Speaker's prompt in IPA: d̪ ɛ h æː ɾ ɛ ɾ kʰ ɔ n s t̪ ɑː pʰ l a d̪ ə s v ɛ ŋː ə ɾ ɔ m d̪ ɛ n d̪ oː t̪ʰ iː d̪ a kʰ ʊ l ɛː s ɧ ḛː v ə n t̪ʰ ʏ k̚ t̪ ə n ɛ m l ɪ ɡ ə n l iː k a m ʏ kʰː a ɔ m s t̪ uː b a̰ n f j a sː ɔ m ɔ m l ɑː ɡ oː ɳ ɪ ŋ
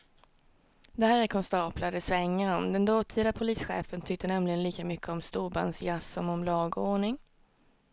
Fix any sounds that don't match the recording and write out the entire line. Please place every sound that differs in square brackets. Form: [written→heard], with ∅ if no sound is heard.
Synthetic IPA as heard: d̪ ɛ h æː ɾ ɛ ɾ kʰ ɔ n s t̪ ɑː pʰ l a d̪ ə s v ɛ ŋː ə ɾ ɔ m d̪ ɛ n d̪ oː t̪ʰ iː d̪ a [kʰ→pʰ] ʊ l [ɛː→iː] s ɧ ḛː [v→f] ə n t̪ʰ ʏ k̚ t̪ ə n ɛ m l ɪ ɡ ə n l iː k a m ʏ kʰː [a→ə] ɔ m s t̪ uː b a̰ n [f→s] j a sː ɔ m ɔ m l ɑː ɡ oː ɳ ɪ ŋ